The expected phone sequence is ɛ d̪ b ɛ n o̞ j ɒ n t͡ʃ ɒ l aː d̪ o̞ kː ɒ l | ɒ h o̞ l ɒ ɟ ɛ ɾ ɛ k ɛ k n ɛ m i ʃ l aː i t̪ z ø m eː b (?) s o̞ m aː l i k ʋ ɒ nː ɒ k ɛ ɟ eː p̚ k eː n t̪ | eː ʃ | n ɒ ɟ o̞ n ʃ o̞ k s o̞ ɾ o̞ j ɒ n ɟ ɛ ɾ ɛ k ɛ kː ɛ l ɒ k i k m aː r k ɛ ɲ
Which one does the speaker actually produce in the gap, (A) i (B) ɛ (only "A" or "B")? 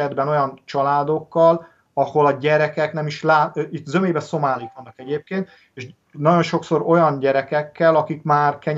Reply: B